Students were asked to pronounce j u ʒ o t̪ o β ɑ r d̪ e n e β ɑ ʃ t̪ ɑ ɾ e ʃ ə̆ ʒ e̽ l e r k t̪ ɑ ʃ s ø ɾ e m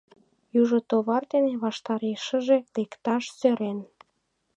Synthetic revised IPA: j u ʒ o t̪ o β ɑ r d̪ e n e β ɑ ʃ t̪ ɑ ɾ e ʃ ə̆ ʒ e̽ l e k t̪ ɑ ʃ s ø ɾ e n